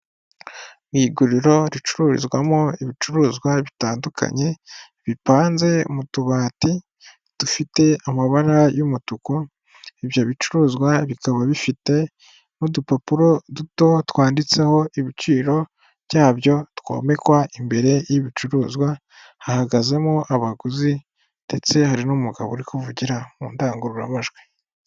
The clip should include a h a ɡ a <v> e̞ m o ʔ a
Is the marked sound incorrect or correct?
incorrect